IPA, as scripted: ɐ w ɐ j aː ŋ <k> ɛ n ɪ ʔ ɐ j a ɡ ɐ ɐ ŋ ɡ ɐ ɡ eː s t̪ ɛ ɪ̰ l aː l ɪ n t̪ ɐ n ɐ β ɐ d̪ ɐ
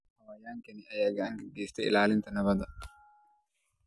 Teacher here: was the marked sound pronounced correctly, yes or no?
yes